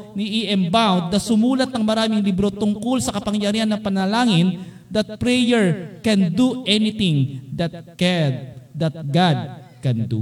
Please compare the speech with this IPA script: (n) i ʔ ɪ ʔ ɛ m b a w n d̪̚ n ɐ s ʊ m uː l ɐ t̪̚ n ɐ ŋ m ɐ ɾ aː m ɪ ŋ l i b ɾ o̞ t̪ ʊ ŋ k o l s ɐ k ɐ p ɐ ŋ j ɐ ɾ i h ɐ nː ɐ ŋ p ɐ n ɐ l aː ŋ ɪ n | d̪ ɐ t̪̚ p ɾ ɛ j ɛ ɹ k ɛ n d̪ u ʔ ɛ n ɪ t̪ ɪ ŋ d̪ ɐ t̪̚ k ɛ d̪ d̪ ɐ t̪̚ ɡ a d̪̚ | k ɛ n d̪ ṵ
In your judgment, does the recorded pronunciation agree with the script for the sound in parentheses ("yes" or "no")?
yes